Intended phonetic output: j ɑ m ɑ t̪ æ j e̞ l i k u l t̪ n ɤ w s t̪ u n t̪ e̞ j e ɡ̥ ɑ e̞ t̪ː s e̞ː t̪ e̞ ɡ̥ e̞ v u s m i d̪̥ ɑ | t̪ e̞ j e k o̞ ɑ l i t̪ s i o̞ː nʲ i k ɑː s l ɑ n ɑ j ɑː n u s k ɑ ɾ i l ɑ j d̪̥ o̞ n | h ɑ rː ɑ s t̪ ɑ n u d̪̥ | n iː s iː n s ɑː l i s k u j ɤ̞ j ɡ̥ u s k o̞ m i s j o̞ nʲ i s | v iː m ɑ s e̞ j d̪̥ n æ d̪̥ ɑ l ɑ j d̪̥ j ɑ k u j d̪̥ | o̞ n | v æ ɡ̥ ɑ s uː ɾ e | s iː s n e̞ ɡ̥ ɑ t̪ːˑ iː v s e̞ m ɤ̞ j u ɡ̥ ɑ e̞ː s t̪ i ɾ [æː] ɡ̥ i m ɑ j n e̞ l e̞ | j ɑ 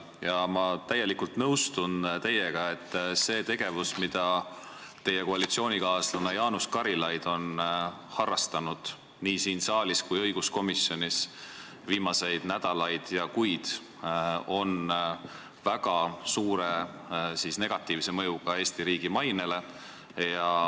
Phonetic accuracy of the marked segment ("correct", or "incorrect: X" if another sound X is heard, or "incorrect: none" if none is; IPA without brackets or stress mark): incorrect: iː